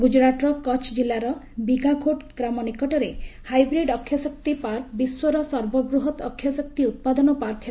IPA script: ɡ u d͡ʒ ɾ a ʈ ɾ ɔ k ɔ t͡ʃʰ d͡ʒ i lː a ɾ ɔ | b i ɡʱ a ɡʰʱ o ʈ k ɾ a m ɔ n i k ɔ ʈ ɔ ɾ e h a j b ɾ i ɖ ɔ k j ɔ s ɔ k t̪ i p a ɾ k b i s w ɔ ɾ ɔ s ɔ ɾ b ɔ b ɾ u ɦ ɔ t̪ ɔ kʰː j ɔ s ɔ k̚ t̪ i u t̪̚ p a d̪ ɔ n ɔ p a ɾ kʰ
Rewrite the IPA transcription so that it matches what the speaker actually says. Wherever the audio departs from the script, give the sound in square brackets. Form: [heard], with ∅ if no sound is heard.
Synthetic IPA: ɡ u d͡ʒ ɾ a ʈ ɾ ɔ k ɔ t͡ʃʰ d͡ʒ i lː a ɾ ɔ | b i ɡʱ a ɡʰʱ o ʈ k ɾ a m ɔ n i k ɔ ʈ ɔ ɾ e h a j b ɾ i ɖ ɔ [kʰ] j ɔ s ɔ k t̪ i p a ɾ k b i s w ɔ ɾ ɔ s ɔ ɾ b ɔ b ɾ u ɦ ɔ t̪ ɔ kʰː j ɔ s ɔ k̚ t̪ i u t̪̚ p a d̪ ɔ n ɔ p a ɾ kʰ